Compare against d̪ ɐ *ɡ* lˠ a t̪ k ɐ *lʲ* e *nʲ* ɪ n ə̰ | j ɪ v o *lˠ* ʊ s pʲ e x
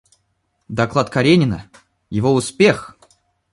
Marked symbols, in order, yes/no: no, no, yes, no

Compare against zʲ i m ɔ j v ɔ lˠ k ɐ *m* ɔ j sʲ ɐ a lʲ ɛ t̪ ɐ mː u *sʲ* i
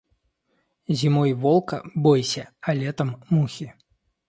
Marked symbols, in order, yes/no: no, no

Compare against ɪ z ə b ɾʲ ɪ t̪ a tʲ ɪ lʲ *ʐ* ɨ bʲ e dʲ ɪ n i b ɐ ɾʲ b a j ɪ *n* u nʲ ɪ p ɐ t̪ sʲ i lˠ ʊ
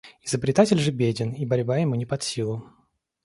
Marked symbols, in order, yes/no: yes, no

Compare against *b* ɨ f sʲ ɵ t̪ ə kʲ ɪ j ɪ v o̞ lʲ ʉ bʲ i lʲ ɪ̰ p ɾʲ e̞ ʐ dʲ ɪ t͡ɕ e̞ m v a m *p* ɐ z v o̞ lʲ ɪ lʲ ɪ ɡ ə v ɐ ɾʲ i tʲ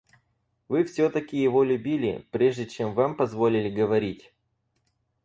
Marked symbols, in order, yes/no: no, yes

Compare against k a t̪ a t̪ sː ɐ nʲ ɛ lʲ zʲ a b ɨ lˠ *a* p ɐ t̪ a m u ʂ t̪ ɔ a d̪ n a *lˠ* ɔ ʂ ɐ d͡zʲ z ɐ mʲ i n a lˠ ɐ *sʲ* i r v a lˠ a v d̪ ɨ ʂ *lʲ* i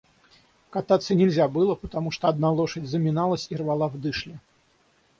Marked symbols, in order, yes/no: no, yes, yes, yes

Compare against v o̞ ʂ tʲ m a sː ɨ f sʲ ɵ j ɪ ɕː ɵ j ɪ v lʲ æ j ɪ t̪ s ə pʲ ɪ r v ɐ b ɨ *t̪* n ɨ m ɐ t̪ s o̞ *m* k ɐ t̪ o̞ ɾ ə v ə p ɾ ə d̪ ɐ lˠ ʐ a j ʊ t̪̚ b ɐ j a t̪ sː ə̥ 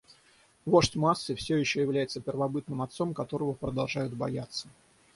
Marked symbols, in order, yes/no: yes, yes

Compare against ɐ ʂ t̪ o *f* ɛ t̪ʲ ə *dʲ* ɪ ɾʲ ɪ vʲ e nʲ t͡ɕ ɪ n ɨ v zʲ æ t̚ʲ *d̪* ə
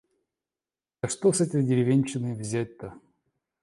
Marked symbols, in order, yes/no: no, yes, no

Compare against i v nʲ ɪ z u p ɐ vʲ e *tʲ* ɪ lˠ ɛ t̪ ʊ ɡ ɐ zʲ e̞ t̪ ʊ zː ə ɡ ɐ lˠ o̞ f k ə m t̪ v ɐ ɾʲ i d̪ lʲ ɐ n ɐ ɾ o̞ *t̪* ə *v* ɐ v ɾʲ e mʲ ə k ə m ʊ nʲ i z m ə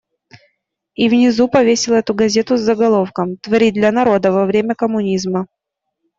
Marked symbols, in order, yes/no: no, no, yes

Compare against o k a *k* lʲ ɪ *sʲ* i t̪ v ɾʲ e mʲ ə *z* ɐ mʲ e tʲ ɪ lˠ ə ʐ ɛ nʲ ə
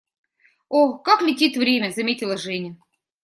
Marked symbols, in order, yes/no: yes, no, yes

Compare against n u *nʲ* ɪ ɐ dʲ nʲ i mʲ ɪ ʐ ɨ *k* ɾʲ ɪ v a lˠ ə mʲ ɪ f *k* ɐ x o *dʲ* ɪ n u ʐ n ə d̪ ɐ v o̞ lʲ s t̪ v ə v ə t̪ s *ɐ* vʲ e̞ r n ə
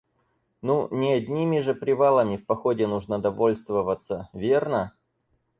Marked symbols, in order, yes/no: yes, no, no, yes, no

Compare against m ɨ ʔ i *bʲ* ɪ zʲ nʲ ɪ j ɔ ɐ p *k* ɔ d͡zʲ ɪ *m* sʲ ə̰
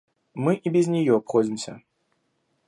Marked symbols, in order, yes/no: yes, no, yes

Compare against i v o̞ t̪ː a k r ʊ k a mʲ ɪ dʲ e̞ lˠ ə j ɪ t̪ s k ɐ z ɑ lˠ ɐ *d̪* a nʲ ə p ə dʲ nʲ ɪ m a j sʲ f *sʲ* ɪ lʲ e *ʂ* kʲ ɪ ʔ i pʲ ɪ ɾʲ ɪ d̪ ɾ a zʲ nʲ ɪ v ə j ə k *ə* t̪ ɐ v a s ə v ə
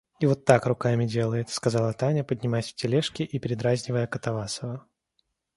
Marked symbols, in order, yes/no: no, no, yes, yes

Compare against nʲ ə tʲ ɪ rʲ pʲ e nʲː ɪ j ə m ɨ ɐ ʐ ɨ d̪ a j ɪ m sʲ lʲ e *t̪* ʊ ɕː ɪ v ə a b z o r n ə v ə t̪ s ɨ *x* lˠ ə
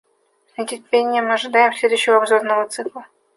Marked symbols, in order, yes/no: no, no

